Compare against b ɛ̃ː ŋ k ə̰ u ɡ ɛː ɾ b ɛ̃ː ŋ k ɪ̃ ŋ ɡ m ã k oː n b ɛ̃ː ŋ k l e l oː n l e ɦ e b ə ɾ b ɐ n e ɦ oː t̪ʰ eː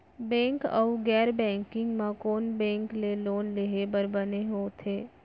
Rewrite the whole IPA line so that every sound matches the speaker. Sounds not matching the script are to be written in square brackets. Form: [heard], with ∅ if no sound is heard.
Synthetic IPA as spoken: b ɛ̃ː ŋ k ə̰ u ɡ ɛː ɾ b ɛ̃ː ŋ k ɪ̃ ŋ ɡ m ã k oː n b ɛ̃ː ŋ k l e l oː n l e ɦ e b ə ɾ b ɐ n e ɦ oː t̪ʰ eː